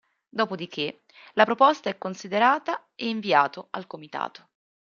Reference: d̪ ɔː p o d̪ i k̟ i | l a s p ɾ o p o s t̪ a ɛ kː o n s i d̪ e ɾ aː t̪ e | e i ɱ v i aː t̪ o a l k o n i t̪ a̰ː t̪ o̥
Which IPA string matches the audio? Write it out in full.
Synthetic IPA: d̪ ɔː p o d̪ i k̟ e | l a p ɾ o p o s t̪ a ɛ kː o n s i d̪ e ɾ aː t̪ a | e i ɱ v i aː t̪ o a l k o m i t̪ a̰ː t̪ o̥